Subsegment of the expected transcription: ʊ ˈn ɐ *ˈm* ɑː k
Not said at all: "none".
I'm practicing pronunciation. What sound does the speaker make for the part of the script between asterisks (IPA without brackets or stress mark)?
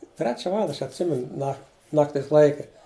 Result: n